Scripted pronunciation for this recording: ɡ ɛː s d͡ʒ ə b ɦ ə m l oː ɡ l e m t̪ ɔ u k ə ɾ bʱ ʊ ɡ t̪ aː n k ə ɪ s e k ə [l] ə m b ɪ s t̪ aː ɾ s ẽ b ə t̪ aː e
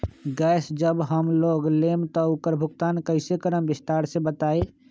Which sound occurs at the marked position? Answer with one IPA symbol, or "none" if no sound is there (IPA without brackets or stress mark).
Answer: ɾ